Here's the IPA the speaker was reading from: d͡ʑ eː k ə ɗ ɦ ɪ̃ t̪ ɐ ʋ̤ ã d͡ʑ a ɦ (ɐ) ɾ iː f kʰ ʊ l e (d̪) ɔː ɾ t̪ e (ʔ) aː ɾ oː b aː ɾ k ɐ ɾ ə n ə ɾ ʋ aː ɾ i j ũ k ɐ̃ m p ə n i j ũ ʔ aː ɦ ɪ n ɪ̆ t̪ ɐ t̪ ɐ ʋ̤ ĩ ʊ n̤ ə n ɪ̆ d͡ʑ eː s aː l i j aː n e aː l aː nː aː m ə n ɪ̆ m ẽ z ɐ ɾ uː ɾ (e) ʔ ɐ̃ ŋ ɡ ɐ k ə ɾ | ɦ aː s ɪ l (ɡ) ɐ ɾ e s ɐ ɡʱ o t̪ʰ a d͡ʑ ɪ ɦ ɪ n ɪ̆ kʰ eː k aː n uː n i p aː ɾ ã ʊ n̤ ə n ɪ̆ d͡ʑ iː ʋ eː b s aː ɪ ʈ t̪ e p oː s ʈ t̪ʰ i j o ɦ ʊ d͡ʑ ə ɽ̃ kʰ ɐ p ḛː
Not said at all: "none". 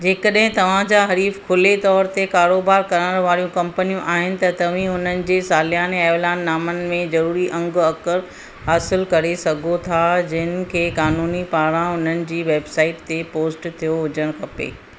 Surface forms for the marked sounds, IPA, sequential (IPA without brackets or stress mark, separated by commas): ɐ, t̪, k, i, k